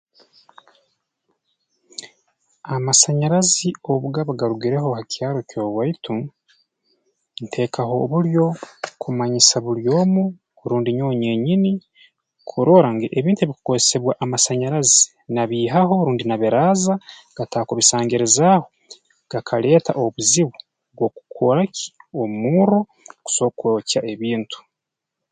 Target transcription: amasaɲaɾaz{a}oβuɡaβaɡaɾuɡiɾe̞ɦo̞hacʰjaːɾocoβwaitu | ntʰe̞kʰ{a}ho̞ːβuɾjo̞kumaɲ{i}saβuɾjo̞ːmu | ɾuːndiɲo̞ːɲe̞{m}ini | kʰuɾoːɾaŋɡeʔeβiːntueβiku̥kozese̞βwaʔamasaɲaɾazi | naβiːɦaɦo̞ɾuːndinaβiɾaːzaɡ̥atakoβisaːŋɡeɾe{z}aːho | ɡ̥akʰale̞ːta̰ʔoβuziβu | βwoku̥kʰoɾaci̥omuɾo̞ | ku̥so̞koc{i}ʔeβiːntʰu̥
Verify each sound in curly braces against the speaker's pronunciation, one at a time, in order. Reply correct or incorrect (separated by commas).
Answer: incorrect, correct, correct, incorrect, correct, incorrect